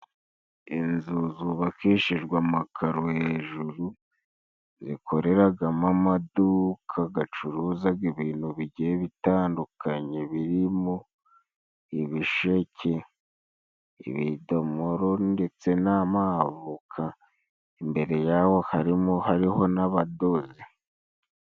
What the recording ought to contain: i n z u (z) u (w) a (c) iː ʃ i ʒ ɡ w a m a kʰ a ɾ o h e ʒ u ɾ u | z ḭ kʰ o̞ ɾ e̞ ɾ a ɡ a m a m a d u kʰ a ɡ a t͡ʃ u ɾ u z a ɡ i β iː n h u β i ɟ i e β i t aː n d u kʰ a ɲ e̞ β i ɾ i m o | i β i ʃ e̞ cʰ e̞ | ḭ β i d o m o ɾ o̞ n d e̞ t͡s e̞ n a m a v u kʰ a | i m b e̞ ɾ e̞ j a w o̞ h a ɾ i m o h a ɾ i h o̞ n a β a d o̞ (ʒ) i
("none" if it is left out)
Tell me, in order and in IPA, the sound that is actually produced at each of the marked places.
z, β, k, z

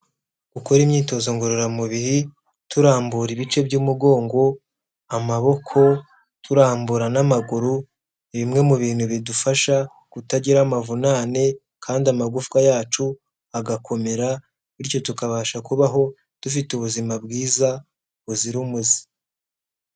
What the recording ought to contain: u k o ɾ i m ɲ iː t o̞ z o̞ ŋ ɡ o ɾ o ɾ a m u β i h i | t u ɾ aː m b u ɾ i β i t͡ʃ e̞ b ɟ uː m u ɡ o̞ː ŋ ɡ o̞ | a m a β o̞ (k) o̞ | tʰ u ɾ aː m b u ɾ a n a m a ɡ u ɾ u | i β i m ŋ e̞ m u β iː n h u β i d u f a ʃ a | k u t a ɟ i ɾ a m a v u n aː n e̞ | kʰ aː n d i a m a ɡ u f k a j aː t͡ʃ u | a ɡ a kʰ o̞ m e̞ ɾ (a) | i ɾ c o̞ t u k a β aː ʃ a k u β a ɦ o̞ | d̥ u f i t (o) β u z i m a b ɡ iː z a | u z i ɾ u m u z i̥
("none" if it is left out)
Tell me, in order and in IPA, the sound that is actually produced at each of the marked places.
kʰ, a, u

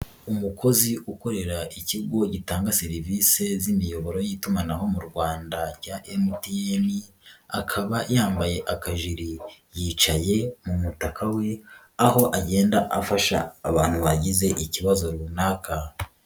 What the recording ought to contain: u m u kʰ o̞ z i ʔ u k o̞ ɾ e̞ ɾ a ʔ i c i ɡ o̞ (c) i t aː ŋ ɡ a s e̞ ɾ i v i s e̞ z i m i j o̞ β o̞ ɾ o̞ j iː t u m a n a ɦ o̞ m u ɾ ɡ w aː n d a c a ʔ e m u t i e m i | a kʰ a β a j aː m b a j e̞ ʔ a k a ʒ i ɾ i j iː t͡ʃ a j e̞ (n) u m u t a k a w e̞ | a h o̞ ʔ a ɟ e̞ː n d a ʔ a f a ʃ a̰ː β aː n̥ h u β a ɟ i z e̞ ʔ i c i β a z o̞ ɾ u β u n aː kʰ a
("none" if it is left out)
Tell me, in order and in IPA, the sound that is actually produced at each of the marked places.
ɟ, m

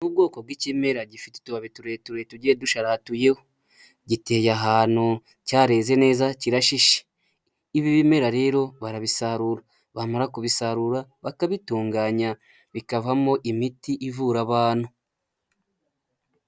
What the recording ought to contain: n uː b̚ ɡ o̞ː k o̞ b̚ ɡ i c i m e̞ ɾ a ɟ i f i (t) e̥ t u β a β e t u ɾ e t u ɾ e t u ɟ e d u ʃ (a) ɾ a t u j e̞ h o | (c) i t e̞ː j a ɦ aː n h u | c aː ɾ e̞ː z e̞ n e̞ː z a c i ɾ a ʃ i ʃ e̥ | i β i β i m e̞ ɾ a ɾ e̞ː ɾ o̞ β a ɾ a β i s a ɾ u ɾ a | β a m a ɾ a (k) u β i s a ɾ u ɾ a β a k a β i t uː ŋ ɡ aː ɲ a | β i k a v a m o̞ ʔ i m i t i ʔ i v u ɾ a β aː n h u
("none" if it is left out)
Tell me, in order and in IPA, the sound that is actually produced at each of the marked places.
t, a, ɟ, k

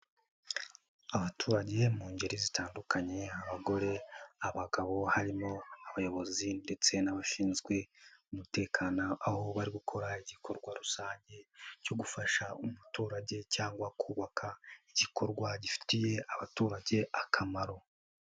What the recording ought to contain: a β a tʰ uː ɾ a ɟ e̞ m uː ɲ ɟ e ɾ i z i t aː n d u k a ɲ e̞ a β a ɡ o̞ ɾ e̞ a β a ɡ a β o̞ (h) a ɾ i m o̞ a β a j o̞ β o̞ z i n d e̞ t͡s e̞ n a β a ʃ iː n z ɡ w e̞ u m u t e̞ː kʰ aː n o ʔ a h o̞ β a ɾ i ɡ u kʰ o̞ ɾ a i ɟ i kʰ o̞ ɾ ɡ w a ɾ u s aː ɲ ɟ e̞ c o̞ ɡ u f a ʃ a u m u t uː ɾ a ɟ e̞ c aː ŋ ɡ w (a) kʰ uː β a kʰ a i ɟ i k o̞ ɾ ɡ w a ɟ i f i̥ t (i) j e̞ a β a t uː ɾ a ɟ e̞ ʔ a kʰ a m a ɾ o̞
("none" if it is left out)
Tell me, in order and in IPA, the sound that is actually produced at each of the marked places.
h, a, i

